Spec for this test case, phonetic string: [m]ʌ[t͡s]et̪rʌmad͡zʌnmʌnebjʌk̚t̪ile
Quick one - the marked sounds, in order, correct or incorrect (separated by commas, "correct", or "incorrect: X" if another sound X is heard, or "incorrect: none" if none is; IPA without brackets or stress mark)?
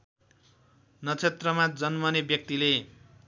incorrect: n, incorrect: t͡sʰ